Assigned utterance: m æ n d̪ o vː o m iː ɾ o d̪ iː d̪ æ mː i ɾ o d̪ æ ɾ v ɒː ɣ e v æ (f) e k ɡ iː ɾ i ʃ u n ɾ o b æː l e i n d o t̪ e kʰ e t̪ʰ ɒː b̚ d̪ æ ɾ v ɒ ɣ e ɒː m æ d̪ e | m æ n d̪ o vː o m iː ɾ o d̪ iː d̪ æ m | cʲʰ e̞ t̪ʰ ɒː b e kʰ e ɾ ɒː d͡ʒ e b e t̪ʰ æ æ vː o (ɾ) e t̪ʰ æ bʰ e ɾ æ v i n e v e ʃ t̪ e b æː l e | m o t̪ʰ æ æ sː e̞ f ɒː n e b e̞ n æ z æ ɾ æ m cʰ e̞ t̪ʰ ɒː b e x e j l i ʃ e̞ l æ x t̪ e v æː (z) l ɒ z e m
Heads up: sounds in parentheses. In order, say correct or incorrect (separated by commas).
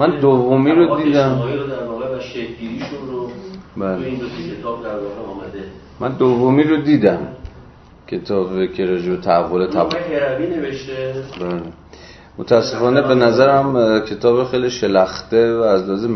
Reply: incorrect, incorrect, correct